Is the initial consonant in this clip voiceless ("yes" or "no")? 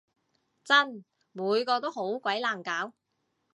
yes